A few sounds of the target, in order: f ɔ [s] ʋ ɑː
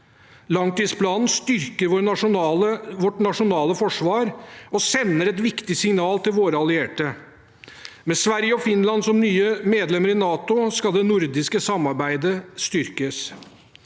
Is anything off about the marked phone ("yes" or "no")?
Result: yes